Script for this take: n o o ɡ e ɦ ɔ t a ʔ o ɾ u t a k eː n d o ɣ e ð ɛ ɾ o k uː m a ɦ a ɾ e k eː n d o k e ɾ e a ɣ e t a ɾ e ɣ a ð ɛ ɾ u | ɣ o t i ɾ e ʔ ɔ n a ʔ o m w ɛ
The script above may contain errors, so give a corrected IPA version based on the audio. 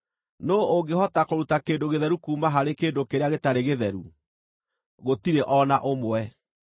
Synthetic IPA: n o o ɡ e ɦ ɔ t a k o ɾ u t a k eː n d o ɣ e ð ɛ ɾ u k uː m a ɦ a ɾ e k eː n d o k e ɾ e a ɣ e t a ɾ e ɣ e ð ɛ ɾ u | ɣ o t i ɾ e ʔ ɔ n a ʔ o m w ɛ

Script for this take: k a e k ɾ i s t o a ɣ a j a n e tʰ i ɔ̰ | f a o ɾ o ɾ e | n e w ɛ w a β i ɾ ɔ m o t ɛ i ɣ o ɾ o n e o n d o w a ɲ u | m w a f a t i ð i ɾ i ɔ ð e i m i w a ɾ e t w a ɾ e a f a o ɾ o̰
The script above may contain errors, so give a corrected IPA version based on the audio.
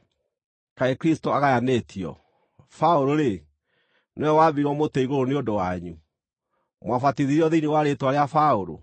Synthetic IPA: k a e k ɾ i s t o a ɣ a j a n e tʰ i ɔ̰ | f a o ɾ o ɾ e | n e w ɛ w a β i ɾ ɔ m o t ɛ i ɣ o ɾ o n e o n d o w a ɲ u | m w a f a t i ð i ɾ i ɔ ð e i n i w a ɾ e t w a ɾ e a f a o ɾ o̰

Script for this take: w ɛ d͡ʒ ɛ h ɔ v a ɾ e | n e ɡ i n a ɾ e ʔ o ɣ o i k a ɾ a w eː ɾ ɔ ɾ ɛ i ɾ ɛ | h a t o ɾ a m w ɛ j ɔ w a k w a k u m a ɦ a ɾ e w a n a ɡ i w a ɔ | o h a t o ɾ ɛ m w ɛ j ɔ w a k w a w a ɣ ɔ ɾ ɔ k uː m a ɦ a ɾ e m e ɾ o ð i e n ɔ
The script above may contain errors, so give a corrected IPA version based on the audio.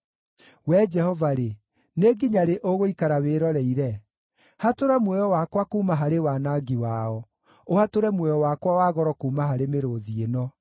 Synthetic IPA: w ɛ d͡ʒ ɛ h ɔ v a ɾ e | n e ɡ i ɲ a ɾ e ʔ o ɣ o i k a ɾ a w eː ɾ ɔ ɾ ɛ i ɾ ɛ | h a t o ɾ a m w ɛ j ɔ w a k w a k u m a ɦ a ɾ e w a n a ɡ i w a ɔ | o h a t o ɾ ɛ m w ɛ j ɔ w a k w a w a ɣ ɔ ɾ ɔ k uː m a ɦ a ɾ e m e ɾ o ð i e n ɔ

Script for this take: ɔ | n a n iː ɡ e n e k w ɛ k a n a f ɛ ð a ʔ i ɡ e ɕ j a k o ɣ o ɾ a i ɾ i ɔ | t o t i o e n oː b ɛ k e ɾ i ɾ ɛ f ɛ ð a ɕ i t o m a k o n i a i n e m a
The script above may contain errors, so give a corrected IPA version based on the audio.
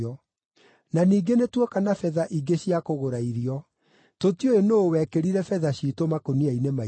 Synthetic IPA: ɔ | n a n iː ɡ e n e t w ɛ k a n a f ɛ ð a ʔ i ɡ e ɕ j a k o ɣ o ɾ a i ɾ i ɔ | t o t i o e n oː w ɛ k e ɾ i ɾ ɛ f ɛ ð a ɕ i t o m a k o n i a i n e m a

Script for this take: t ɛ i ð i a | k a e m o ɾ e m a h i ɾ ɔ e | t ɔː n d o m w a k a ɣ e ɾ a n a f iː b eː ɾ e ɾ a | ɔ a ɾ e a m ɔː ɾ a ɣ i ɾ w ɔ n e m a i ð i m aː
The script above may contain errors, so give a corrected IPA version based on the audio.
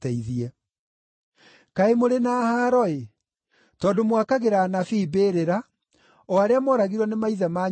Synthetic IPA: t ɛ i ð i ɛ | k a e m o ɾ e n a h a ɾ ɔ e | t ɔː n d o m w a k a ɣ e ɾ a n a f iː b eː ɾ e ɾ a | ɔ a ɾ e a m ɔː ɾ a ɣ i ɾ w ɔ n e m a i ð a m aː

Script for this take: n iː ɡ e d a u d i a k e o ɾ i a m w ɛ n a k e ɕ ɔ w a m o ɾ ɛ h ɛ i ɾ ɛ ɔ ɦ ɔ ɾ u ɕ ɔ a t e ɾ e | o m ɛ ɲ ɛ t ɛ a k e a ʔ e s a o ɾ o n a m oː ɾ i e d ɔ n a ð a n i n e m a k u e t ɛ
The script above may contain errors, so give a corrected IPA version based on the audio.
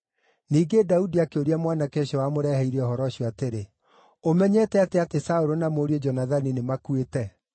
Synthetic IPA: n iː ɡ e d a u d i a k e o ɾ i a m w a n a k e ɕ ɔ w a m o ɾ ɛ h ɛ i ɾ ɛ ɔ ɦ ɔ ɾ ɔ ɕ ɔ a t e ɾ e | o m ɛ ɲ ɛ t ɛ a t e a t e s a o ɾ o n a m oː ɾ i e d͡ʒ ɔ n a ð a n i n e m a k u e t ɛ

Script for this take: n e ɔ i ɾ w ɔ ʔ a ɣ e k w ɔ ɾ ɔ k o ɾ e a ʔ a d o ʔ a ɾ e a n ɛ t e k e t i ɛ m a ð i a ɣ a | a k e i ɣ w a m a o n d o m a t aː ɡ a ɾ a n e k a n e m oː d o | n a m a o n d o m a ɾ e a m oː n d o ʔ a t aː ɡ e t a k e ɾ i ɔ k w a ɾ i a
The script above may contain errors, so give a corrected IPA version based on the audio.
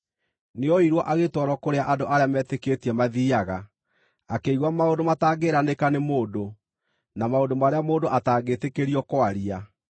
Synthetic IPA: n e ɔ i ɾ w ɔ ʔ a ɣ e t w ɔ ɾ ɔ k o ɾ e a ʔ a d o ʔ a ɾ e a m ɛ t e k e t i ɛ m a ð i a ɣ a | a k e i ɣ w a m a o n d o m a t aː ɡ e ɾ a n e k a n e m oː d o | n a m a o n d o m a ɾ e a m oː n d o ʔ a t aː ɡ e t e k e ɾ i ɔ k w a ɾ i a

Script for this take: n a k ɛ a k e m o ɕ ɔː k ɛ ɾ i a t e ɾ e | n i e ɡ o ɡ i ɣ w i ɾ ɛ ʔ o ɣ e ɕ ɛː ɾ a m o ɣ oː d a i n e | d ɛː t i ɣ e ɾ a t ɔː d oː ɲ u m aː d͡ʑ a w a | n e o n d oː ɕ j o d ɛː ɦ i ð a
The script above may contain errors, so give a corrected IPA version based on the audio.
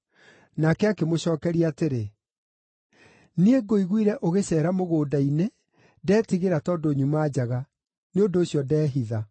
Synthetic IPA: n a k ɛ a k e m o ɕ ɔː k ɛ ɾ i a t e ɾ e | n i e ɡ o i ɣ w i ɾ ɛ ʔ o ɣ e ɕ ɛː ɾ a m o ɣ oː d a i n e | d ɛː t i ɣ e ɾ a t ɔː d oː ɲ u m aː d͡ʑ a ɣ a | n e o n d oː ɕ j ɔ d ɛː ɦ i ð a

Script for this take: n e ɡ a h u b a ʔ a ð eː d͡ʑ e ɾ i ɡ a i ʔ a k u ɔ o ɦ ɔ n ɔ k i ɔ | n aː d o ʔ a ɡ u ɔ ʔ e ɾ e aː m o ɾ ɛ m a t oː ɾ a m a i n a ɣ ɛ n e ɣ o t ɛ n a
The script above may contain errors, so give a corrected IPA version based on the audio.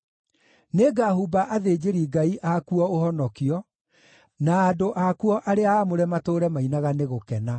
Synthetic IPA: n e ɡ a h u b a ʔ a ð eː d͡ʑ e ɾ i ɡ a i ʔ a k u ɔ o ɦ ɔ n ɔ k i ɔ | n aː d o ʔ a k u ɔ ʔ a ɾ e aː m o ɾ ɛ m a t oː ɾ ɛ m a i n a ɣ a n e ɣ o k ɛ n a

